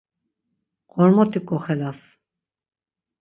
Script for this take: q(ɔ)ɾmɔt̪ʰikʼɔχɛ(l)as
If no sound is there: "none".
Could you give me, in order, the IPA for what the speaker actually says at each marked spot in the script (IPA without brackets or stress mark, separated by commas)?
ɔ, l